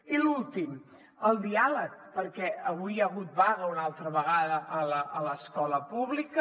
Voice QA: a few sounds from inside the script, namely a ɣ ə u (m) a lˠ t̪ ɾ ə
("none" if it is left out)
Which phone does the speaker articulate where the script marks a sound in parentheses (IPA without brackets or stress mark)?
n